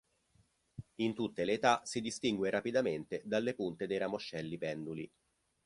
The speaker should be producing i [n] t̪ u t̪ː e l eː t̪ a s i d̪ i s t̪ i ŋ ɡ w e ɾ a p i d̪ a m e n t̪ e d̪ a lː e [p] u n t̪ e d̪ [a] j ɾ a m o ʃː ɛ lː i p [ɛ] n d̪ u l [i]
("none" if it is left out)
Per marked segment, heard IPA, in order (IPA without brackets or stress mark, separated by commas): n, p, e, ɛ, i